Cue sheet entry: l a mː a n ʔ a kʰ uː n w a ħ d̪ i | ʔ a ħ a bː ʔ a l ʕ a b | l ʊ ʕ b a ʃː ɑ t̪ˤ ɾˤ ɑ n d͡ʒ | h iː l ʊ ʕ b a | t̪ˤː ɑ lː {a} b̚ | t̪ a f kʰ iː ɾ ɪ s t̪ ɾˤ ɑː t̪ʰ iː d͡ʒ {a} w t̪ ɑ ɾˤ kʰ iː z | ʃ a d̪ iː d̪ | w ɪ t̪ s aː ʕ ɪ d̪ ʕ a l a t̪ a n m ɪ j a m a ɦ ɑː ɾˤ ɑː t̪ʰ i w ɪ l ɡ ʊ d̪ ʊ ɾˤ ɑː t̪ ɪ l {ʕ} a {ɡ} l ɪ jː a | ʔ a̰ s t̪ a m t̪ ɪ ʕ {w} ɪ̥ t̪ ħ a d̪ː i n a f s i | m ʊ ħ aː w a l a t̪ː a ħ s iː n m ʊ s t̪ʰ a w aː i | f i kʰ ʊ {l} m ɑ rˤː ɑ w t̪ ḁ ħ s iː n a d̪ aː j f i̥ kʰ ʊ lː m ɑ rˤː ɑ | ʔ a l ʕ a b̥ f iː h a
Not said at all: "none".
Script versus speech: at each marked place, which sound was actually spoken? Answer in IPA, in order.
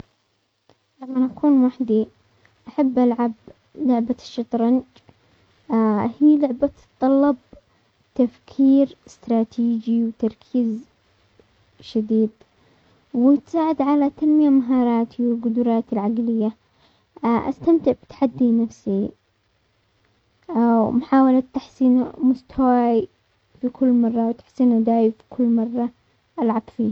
ɑ, i, ʕ, ɡ, b, lː

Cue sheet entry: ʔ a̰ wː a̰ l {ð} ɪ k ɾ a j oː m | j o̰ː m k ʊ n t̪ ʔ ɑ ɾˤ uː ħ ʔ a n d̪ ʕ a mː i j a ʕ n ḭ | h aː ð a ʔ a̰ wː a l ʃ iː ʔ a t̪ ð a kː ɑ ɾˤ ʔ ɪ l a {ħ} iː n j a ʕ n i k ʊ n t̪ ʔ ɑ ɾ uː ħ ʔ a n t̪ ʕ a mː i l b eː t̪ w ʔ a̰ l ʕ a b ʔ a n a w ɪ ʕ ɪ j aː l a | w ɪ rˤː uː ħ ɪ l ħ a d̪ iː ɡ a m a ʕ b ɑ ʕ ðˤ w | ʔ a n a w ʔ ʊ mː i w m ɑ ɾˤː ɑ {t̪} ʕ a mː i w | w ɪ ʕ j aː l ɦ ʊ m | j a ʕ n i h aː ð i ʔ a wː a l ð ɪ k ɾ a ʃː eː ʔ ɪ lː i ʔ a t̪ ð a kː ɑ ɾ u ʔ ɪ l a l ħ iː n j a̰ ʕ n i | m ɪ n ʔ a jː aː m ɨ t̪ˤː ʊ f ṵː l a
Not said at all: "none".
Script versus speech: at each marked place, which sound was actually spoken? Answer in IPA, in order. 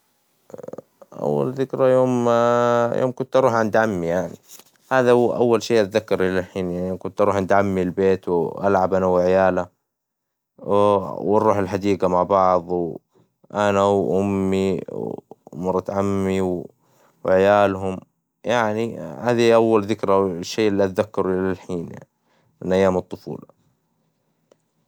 ð, ħ, t̪

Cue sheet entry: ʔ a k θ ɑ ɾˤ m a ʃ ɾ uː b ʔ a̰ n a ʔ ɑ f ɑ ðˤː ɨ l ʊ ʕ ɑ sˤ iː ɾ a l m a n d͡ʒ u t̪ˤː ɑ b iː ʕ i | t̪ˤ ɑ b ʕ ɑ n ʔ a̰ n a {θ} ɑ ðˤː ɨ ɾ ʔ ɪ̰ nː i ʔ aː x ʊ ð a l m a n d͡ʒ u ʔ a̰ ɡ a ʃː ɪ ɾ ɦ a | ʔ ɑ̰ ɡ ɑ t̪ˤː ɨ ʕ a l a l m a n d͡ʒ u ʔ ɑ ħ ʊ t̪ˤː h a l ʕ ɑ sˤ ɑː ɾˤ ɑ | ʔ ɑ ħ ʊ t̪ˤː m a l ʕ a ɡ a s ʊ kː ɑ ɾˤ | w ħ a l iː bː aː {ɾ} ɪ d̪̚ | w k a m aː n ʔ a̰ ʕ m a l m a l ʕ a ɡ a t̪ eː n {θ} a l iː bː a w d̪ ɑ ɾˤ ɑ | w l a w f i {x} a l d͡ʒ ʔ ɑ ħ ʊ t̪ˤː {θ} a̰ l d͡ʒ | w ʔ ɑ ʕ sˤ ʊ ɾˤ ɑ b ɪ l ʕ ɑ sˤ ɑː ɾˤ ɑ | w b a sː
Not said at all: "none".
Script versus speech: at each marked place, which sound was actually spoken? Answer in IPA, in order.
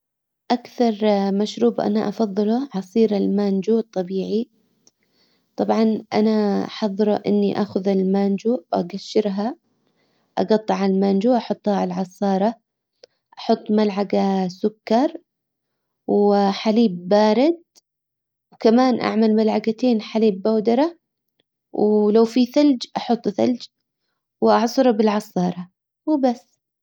ħ, ɾ, ħ, θ, θ

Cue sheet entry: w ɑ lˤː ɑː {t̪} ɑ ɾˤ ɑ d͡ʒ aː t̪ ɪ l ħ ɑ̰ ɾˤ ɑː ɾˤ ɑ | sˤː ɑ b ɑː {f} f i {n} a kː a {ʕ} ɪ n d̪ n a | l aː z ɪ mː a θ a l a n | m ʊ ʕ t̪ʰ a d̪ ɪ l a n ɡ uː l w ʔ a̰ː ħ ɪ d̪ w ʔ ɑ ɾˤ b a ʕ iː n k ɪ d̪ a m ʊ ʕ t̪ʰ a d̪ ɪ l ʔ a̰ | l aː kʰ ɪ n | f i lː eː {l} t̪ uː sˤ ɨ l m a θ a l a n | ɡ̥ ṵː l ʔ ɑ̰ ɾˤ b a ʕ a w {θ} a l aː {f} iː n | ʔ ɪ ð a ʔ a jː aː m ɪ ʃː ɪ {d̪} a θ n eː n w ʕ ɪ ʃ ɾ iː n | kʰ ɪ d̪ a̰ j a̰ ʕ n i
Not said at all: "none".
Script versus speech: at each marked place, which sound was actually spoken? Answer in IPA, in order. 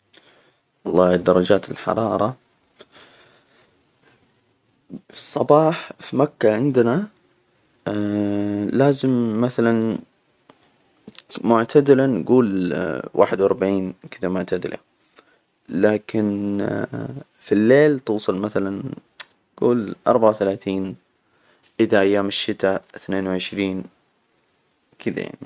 d̪, ħ, m, ʕ, l, θ, θ, t̪

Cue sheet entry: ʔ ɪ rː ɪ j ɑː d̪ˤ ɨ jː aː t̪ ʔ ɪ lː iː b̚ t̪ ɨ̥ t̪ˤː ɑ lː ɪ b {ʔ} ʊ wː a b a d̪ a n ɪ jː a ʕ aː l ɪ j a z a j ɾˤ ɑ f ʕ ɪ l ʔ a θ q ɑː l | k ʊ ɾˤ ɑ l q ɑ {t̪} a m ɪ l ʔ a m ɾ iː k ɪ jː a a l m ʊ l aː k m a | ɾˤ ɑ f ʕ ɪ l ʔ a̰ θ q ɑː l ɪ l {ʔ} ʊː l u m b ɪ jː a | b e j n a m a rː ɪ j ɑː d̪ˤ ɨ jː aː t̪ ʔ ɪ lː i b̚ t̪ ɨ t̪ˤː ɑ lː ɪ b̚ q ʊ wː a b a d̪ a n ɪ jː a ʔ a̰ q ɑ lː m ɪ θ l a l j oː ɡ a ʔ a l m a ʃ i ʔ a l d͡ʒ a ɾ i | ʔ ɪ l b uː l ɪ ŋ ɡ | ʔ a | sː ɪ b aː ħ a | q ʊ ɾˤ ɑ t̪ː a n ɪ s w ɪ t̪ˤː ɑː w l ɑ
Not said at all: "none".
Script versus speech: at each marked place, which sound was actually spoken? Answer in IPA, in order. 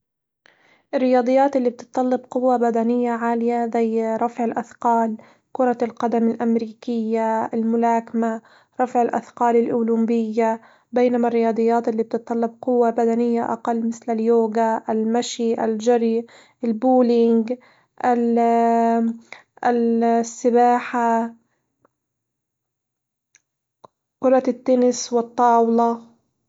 q, d̪, ʔ

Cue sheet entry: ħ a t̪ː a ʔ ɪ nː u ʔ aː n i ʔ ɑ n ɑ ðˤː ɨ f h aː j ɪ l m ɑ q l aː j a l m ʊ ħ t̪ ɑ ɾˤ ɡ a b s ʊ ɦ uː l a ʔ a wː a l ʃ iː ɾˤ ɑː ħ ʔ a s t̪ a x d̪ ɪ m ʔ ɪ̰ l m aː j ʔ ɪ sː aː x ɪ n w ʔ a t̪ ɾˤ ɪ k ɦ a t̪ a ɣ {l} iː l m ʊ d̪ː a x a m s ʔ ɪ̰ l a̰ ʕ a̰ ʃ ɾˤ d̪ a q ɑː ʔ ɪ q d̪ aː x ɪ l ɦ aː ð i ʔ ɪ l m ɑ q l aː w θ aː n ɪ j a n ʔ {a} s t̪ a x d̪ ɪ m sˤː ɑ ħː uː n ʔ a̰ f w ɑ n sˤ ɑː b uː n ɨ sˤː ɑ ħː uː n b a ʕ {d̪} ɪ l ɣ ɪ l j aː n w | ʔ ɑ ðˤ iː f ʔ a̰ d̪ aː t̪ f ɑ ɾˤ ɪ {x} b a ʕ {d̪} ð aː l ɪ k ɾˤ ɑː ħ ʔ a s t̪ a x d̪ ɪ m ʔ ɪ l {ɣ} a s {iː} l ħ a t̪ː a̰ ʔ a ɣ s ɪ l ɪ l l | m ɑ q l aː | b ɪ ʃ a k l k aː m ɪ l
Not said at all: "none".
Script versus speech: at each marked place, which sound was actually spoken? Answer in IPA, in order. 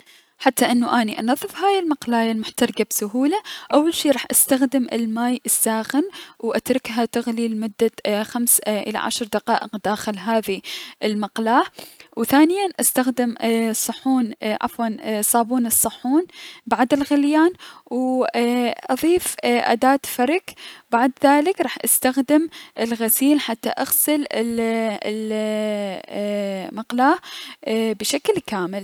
l, a, d̪, k, d̪, ɣ, iː

